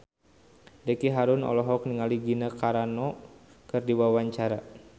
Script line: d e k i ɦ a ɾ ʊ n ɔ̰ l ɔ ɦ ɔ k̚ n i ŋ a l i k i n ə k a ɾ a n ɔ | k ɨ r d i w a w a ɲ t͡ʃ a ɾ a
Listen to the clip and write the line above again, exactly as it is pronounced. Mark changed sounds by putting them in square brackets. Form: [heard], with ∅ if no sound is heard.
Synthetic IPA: d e k i ɦ a ɾ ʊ n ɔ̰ l ɔ ɦ ɔ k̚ n i ŋ a l i [ɡ] i n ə k a ɾ a n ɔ | k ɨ r d i w a w a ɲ t͡ʃ a ɾ a